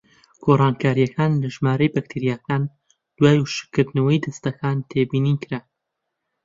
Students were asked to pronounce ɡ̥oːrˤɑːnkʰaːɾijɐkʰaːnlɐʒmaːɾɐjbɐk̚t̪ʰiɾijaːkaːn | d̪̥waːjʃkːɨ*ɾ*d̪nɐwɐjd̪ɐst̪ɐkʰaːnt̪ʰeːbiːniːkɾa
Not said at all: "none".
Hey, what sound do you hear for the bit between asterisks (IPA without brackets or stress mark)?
ɾ